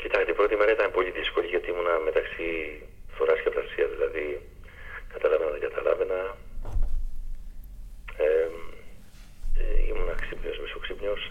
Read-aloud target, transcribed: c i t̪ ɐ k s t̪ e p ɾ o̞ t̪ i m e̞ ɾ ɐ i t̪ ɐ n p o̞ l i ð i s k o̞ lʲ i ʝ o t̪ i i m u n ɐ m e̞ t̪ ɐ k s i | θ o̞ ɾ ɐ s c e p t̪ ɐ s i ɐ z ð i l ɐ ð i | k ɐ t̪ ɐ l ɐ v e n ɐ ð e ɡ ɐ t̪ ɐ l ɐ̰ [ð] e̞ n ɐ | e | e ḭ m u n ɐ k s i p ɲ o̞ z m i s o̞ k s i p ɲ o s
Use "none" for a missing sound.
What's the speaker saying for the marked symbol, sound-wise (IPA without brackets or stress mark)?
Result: v